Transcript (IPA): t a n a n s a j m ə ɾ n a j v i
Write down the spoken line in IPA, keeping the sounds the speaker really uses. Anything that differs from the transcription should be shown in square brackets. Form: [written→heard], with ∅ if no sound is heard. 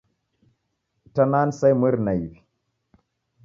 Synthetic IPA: t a n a n s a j m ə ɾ n a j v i